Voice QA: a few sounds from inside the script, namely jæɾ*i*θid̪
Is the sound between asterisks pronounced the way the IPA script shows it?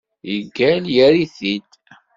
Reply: yes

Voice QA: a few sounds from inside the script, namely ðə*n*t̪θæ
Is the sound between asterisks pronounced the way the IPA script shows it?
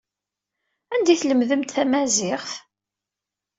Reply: no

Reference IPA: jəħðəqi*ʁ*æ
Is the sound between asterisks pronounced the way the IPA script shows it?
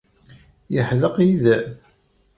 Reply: no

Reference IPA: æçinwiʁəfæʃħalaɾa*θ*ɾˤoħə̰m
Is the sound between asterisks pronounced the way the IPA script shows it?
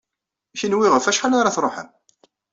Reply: yes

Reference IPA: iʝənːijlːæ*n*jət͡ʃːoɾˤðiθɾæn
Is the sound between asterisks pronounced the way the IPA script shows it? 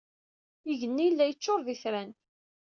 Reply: no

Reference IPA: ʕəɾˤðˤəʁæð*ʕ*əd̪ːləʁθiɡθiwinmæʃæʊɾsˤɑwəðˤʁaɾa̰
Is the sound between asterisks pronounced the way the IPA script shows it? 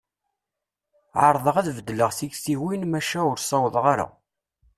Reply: no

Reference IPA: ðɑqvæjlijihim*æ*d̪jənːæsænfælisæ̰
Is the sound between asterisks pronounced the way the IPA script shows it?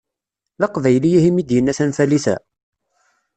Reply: no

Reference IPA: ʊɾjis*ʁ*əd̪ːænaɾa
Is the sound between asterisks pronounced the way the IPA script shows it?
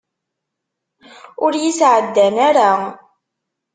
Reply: no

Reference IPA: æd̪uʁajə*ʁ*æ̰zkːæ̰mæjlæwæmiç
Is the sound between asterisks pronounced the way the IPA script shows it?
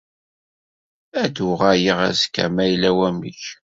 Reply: yes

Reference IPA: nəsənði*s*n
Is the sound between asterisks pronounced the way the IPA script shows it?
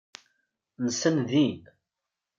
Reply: no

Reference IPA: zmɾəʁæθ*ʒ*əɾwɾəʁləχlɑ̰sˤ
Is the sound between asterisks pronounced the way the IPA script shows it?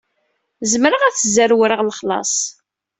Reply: no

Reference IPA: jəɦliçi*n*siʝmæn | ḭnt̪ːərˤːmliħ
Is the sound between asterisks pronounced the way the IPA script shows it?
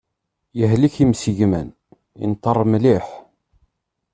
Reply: no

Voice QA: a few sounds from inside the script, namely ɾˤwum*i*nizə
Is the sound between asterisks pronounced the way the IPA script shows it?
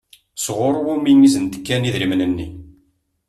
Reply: yes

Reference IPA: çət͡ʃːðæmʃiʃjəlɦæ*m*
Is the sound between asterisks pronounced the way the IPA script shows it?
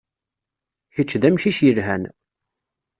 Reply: no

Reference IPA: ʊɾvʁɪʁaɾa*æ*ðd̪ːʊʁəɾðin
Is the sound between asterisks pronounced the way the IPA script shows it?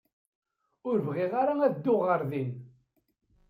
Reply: yes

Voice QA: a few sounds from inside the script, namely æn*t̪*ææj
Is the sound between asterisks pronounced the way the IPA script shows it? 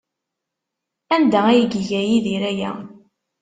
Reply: no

